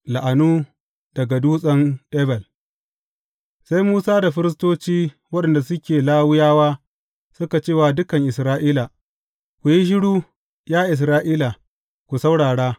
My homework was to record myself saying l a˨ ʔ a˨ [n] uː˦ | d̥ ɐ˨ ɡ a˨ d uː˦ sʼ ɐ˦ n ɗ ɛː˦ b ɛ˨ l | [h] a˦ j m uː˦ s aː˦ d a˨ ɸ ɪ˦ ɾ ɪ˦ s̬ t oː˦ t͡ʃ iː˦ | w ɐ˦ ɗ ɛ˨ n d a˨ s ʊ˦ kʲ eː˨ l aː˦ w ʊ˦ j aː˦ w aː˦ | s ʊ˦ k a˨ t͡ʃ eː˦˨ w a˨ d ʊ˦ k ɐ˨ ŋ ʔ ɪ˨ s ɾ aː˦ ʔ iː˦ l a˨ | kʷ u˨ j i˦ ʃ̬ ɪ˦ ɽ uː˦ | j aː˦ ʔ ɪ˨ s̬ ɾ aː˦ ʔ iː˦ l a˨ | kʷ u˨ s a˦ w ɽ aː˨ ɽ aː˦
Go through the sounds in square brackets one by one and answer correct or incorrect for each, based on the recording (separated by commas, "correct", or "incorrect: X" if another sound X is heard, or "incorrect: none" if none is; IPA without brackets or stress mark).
correct, incorrect: s